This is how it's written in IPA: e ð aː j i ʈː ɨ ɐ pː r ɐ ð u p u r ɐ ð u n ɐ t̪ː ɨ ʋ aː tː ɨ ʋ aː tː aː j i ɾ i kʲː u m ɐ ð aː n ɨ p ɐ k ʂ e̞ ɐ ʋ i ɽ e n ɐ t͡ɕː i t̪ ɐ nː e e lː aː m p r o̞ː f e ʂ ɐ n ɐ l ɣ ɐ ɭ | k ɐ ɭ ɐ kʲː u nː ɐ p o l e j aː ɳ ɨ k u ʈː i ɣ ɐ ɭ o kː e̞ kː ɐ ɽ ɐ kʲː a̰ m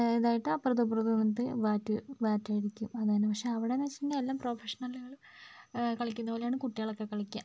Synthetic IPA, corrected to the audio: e ð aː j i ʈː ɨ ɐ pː r ɐ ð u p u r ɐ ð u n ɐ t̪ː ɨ ʋ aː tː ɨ ʋ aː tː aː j i ɾ i kʲː u m ɐ ð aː n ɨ p ɐ k ʂ e̞ ɐ ʋ i ɽ e n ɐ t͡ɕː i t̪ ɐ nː e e lː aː m p r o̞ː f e ʂ ɐ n ɐ l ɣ ɐ ɭ | k ɐ ɭ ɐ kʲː u nː ɐ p o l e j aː ɳ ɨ k u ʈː i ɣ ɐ ɭ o kː e̞ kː ɐ ɭ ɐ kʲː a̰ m

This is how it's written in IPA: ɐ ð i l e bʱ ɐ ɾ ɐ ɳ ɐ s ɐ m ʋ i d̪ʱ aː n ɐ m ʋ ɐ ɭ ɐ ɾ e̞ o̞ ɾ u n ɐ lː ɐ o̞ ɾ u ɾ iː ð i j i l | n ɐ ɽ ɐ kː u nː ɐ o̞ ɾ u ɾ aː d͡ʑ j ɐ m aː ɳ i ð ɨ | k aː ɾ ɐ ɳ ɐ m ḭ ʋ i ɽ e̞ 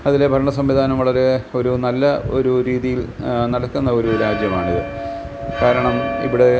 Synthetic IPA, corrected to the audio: ɐ ð i l e bʱ ɐ ɾ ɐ ɳ ɐ s ɐ m ʋ i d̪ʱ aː n ɐ m ʋ ɐ ɭ ɐ ɾ e̞ o̞ ɾ u n ɐ lː ɐ o̞ ɾ u ɾ iː ð i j i l | n ɐ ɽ ɐ kː u nː ɐ o̞ ɾ u ɾ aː d͡ʑ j ɐ m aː ɳ i ð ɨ | k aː ɾ ɐ ɳ ɐ m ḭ ʋ i ɽ e̞

